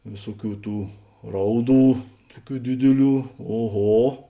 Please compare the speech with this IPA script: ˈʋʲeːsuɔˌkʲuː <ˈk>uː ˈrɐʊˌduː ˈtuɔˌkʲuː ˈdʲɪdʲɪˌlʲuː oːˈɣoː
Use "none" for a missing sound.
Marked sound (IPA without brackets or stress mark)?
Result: t